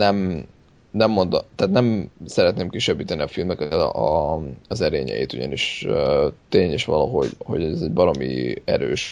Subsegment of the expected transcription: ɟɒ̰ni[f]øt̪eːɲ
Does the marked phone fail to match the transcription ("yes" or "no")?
yes